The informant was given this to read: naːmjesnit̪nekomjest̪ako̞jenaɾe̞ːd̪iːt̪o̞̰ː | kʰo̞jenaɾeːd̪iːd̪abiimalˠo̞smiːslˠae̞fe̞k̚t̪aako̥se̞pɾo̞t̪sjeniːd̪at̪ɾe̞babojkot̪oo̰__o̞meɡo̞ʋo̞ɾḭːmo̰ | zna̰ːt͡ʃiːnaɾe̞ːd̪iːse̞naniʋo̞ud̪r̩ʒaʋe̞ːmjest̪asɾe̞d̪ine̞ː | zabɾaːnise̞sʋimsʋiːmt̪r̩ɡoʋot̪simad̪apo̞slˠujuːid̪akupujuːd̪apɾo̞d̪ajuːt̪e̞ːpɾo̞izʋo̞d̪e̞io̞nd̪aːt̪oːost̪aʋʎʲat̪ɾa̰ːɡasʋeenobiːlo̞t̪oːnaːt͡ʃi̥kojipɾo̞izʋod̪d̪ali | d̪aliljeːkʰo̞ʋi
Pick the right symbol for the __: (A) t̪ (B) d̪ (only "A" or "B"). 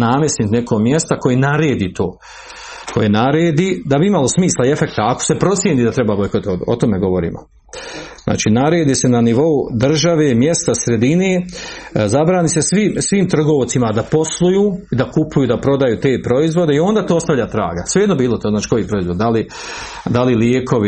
A